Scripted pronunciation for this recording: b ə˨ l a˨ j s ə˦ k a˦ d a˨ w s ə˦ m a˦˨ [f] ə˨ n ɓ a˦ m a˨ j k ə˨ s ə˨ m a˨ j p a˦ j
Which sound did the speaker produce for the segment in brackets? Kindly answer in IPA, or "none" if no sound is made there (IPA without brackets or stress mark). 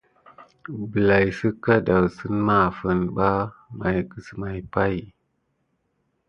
f